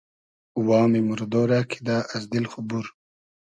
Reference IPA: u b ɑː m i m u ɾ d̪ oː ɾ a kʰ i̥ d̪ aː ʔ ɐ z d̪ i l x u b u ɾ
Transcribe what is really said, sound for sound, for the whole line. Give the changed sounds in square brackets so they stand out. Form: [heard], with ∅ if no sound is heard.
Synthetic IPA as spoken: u [w] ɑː m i m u ɾ d̪ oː ɾ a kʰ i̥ d̪ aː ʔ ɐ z d̪ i l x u b u ɾ